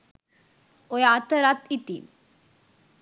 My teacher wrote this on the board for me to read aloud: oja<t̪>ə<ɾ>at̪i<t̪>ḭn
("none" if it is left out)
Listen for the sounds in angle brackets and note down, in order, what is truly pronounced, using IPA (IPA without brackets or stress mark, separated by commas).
t̪, ɾ, t̪